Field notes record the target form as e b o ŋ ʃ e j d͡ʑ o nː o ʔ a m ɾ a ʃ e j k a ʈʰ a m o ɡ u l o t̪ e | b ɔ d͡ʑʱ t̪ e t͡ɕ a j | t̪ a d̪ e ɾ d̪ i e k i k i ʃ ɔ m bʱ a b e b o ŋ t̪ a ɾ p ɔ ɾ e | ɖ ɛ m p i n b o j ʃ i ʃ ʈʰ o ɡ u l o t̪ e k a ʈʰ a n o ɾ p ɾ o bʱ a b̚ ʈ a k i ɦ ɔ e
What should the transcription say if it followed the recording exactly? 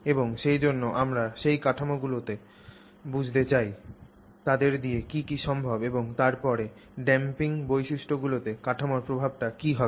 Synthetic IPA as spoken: e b o ŋ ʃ e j d͡ʑ o nː o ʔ a m ɾ a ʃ e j k a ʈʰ a m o ɡ u l o t̪ e | b u d͡ʑʱ t̪ e t͡ɕ a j | t̪ a d̪ e ɾ d̪ i e k i k i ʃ ɔ m bʱ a b e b o ŋ t̪ a ɾ p ɔ ɾ e | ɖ ɛ m p i ŋ b o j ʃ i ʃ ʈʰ o ɡ u l o t̪ e k a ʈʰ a m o ɾ p ɾ o bʱ a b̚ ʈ a k i ɦ ɔ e